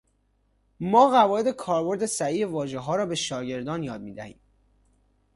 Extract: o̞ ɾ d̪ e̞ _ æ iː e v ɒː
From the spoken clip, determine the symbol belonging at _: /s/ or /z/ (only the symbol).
s